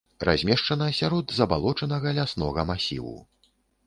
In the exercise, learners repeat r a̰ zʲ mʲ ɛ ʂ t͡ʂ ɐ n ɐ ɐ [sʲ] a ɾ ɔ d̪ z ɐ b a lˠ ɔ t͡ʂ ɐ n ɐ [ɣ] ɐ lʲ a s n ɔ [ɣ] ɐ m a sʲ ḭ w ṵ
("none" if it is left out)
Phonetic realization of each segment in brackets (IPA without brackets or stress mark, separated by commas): sʲ, ɣ, ɣ